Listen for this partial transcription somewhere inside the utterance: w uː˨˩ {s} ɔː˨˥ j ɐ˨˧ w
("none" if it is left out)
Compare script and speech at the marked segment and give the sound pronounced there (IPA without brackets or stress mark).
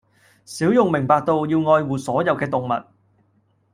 s